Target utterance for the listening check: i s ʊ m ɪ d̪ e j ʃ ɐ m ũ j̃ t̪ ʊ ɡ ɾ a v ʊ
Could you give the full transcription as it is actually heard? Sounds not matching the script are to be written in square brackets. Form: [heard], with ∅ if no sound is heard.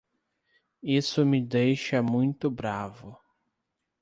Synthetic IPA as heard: i s ʊ m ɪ d̪ e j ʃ ɐ m ũ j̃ t̪ ʊ [b] ɾ a v ʊ